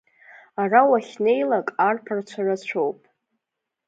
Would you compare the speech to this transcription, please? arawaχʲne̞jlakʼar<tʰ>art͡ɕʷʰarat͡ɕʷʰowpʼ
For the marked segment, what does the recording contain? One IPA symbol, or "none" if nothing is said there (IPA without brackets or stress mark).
pʰ